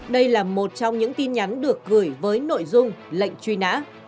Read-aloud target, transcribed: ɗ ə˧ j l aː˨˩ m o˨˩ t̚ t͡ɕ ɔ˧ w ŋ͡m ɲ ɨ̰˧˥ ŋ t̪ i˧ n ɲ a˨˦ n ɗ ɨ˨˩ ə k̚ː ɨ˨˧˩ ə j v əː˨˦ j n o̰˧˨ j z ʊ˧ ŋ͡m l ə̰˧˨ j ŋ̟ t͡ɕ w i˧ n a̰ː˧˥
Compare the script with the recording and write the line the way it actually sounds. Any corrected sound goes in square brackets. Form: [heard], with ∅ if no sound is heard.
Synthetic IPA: ɗ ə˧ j l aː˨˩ m o˨˩ t̚ t͡ɕ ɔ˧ w ŋ͡m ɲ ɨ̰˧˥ ŋ t̪ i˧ n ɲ a˨˦ n ɗ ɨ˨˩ ə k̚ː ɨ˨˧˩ ə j v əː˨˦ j n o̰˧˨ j z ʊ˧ ŋ͡m l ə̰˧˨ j ŋ̟ t͡ɕ w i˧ n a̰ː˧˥